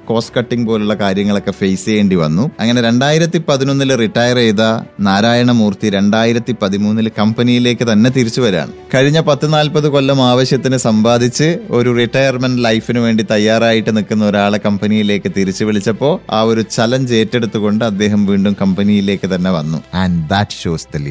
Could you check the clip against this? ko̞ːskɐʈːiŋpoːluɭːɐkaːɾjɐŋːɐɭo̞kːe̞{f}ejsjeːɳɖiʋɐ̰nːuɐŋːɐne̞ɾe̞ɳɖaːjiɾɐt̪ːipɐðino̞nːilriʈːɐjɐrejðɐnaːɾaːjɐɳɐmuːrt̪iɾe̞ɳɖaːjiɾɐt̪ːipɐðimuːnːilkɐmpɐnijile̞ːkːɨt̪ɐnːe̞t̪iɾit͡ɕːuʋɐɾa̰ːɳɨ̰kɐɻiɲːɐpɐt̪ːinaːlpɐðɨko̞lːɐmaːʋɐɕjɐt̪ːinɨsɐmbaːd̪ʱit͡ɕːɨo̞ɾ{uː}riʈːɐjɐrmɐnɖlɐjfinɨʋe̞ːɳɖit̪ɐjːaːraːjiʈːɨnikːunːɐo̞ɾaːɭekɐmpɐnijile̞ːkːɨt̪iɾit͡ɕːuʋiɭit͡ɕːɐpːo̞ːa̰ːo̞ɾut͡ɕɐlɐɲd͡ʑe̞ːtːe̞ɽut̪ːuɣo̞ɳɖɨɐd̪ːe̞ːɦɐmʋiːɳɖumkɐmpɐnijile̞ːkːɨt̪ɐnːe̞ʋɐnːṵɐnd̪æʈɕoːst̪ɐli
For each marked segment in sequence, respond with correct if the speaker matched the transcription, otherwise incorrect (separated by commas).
correct, incorrect